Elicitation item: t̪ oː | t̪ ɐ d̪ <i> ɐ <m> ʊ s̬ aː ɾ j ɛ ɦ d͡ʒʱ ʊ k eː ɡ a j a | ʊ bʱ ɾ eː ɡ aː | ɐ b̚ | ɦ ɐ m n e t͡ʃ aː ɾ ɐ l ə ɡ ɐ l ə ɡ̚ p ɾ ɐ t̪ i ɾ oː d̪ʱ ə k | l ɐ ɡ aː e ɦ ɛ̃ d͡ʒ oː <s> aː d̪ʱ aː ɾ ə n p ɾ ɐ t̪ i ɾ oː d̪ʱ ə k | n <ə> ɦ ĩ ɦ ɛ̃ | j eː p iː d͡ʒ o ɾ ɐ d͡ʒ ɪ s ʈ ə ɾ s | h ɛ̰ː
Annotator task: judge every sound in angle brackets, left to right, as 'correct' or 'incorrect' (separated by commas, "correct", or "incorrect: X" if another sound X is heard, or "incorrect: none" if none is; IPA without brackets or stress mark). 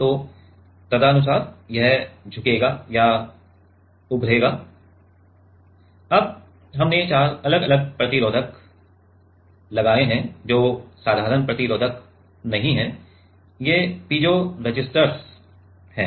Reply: incorrect: a, incorrect: n, correct, incorrect: ɐ